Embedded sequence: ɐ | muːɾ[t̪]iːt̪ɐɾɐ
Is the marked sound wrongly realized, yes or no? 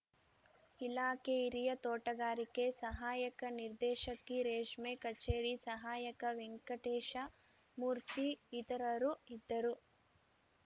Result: no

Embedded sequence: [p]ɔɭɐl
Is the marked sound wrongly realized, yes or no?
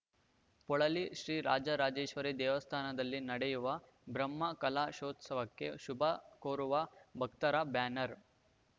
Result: no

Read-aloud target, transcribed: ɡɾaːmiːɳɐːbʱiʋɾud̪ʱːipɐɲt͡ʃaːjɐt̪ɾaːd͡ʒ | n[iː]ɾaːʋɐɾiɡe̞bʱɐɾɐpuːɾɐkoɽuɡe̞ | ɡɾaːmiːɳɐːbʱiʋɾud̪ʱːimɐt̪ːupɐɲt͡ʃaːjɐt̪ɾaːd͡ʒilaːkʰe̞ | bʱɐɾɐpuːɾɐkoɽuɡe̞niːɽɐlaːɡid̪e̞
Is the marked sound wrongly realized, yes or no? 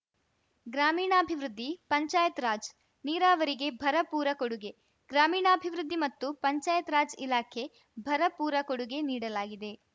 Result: no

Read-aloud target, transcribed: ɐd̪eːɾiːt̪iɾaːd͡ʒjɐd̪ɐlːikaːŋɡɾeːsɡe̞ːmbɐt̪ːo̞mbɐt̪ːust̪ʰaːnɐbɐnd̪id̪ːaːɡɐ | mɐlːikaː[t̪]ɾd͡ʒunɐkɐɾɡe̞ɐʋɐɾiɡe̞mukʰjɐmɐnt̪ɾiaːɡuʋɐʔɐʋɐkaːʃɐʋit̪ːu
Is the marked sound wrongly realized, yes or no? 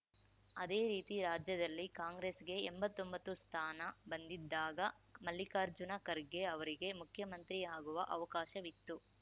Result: yes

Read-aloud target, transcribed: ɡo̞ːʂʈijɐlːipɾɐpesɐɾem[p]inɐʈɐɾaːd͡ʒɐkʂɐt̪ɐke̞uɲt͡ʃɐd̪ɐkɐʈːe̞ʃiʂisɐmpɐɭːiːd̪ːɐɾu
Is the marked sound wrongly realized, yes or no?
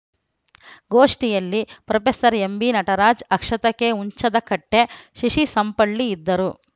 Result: yes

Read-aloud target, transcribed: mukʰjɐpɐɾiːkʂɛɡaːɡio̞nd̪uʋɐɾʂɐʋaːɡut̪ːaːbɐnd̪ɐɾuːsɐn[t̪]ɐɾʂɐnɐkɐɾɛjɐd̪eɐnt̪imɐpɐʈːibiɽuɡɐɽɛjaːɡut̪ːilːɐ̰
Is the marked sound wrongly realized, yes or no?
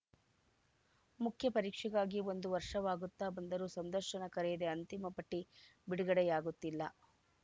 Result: yes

